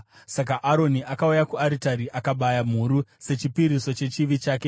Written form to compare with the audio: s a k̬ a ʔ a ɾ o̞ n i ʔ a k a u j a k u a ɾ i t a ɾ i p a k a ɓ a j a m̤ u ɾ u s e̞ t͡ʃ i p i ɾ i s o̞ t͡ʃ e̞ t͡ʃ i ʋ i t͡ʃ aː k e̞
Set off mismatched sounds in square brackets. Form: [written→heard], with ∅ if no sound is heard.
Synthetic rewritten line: s a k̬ a ʔ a ɾ o̞ n i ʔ a k a u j a k u a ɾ i t a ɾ i [p→ʔ] a k a ɓ a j a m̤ u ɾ u s e̞ t͡ʃ i p i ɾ i s o̞ t͡ʃ e̞ t͡ʃ i ʋ i t͡ʃ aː k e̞